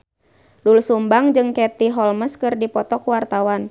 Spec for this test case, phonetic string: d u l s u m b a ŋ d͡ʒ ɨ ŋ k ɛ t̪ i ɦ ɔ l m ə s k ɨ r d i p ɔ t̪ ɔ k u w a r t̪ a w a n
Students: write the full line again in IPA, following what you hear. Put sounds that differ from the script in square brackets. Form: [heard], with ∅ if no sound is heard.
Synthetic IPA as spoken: d u l s u m b a ŋ d͡ʒ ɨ ŋ k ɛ t̪ i ɦ ɔ l m ə s k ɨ r d i p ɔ t̪ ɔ k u w a r t̪ a w a n

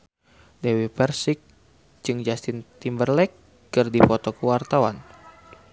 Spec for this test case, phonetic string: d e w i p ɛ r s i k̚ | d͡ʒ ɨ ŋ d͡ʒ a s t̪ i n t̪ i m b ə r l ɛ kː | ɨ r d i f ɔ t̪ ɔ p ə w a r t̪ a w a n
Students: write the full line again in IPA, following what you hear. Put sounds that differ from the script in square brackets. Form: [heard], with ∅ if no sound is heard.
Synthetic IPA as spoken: d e w i p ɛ r s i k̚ | d͡ʒ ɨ ŋ d͡ʒ a s t̪ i n t̪ i m b ə r l ɛ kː | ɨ r d i f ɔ t̪ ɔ [k] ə w a r t̪ a w a n

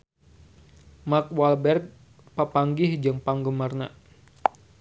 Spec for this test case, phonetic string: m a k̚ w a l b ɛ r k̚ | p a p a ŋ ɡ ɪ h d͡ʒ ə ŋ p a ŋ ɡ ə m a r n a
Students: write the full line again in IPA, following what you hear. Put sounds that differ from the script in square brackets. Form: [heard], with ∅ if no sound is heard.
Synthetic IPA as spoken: m a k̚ w a l b ɛ r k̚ | p a p a ŋ ɡ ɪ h d͡ʒ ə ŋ p a ŋ ɡ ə m a r n a

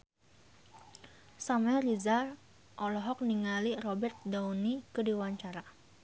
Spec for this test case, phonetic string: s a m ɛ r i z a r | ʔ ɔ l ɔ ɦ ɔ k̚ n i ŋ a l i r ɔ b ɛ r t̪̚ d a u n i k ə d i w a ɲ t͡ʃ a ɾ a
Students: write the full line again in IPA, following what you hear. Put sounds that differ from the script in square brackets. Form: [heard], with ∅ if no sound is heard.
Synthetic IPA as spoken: s a m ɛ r i z a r | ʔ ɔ l ɔ ɦ ɔ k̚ n i ŋ a l i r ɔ b ɛ r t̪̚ d a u n i k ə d i w a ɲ t͡ʃ a ɾ a

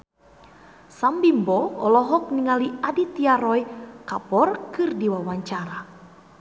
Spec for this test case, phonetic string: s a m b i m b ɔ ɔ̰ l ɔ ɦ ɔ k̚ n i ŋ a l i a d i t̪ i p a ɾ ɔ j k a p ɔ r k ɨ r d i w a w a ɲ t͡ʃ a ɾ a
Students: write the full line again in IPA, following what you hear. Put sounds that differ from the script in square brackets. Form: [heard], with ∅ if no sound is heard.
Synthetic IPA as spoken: s a m b i m b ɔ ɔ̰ l ɔ ɦ ɔ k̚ n i ŋ a l i a d i t̪ i [∅] a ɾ ɔ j k a p ɔ r k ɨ r d i w a w a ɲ t͡ʃ a ɾ a

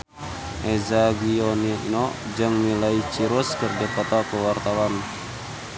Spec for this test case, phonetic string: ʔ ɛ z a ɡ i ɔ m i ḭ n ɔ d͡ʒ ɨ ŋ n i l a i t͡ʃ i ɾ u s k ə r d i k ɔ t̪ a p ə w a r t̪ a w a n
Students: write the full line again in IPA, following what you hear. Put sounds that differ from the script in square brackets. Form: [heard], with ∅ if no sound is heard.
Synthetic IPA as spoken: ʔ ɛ z a ɡ i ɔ [n] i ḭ n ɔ d͡ʒ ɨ ŋ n i l a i t͡ʃ i ɾ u s k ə r d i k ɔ t̪ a [k] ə w a r t̪ a w a n

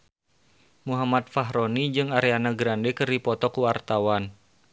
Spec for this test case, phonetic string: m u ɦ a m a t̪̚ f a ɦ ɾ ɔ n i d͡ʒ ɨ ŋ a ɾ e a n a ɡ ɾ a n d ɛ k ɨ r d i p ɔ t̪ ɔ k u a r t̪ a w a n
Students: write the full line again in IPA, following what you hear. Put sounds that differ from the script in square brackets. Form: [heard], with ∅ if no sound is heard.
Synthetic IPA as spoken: m u ɦ a m a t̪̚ f a ɦ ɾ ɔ n i d͡ʒ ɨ ŋ a ɾ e a n a ɡ ɾ a n d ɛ k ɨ r d i p ɔ t̪ ɔ k u a r t̪ a w a n

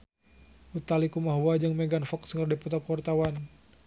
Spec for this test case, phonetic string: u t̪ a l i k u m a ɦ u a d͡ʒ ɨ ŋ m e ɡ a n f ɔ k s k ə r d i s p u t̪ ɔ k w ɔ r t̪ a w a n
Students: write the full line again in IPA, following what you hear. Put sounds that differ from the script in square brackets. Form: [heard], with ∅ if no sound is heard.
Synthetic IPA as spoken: u t̪ a l i k u m a ɦ u a d͡ʒ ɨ ŋ m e ɡ a n f ɔ k s k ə r d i [∅] p u t̪ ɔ k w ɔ r t̪ a w a n

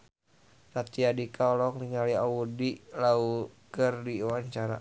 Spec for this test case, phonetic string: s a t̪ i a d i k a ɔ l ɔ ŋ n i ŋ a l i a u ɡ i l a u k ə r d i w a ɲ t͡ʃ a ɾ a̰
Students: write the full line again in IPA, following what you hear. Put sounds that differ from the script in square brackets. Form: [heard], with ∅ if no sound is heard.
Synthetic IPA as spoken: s a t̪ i a d i k a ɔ l ɔ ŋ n i ŋ a l i a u [d] i l a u k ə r d i w a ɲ t͡ʃ a ɾ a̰

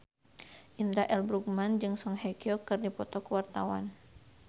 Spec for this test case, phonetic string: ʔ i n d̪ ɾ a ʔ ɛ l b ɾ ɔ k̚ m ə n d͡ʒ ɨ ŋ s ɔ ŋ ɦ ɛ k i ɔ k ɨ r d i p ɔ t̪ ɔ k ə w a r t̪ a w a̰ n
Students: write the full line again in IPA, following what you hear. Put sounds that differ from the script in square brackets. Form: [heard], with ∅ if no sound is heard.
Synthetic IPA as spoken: ʔ i n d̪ ɾ a ʔ ɛ l b ɾ [u] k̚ m [a] n d͡ʒ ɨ ŋ s ɔ ŋ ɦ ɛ k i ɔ k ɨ r d i p ɔ t̪ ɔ k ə w a r t̪ a w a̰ n

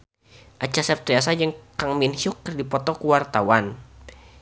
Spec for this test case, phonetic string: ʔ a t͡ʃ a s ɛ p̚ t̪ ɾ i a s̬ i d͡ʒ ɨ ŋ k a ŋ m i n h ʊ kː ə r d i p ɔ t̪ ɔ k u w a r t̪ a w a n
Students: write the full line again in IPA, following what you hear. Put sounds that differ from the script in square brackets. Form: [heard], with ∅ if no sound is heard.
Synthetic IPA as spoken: ʔ a t͡ʃ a s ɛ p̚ t̪ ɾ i a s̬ [a] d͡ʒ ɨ ŋ k a ŋ m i n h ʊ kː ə r d i p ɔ t̪ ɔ k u w a r t̪ a w a n

